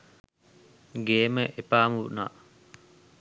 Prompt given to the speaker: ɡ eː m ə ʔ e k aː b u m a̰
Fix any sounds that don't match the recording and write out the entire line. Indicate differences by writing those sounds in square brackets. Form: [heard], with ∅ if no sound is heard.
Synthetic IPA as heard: ɡ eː m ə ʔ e [p] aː [m] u [n] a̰